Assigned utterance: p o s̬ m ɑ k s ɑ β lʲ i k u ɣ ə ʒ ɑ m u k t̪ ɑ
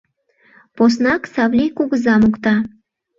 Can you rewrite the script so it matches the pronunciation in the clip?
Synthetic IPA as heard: p o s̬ n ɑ k s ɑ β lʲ i k u ɣ ə z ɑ m u k t̪ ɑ

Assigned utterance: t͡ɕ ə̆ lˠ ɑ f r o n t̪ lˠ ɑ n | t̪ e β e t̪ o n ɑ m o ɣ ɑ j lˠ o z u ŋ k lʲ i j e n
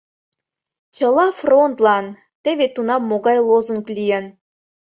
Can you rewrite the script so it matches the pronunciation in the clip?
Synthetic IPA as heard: t͡ɕ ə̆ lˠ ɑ f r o n t̪ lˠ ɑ n | t̪ e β e t̪ u n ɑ m o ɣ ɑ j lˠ o z u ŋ k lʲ i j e n

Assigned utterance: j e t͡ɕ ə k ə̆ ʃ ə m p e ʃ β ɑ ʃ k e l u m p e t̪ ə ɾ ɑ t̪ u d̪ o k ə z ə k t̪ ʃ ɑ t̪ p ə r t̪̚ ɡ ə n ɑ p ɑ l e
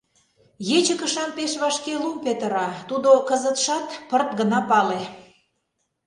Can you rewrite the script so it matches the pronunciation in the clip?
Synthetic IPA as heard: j e t͡ɕ ə k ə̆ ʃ ɑ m p e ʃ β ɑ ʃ k e l u m p e t̪ ə ɾ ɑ t̪ u d̪ o k ə z ə t̪ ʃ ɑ t̪ p ə r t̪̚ ɡ ə n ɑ p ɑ l e

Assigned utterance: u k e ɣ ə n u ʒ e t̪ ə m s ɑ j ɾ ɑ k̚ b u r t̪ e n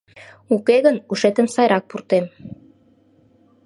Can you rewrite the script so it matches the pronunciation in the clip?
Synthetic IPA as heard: u k e ɣ ə n u ʃ e t̪ ə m s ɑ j ɾ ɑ k̚ p u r t̪ e m

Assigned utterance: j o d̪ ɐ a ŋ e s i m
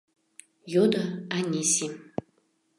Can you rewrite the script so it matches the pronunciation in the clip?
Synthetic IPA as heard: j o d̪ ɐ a n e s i m

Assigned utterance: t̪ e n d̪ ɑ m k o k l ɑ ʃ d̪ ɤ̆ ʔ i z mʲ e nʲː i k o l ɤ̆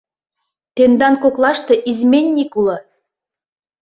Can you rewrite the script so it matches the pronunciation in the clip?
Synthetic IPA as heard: t̪ e n d̪ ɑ n k o k l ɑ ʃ t̪ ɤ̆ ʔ i z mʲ e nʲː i k u l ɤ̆

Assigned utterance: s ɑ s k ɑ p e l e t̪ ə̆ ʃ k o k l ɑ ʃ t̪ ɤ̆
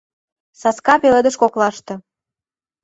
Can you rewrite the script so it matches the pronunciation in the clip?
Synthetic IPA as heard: s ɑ s k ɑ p e l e d̪ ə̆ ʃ k o k l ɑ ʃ t̪ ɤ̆

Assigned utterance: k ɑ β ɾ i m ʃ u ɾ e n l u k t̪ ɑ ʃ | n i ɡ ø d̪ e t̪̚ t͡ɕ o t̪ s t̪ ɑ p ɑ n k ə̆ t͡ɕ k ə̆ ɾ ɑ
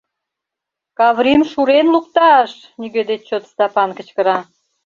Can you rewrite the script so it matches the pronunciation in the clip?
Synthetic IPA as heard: k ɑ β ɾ i m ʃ u ɾ e n l u k t̪ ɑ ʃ | n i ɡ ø d̪ e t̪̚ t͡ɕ o t̪ s t̪ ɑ p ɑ n k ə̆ t͡ɕ k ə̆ ɾ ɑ

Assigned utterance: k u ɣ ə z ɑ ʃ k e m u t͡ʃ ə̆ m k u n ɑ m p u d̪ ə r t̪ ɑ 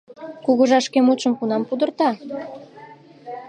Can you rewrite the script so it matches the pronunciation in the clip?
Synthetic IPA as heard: k u ɣ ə ʒ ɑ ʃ k e m u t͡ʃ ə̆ m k u n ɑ m p u d̪ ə r t̪ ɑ

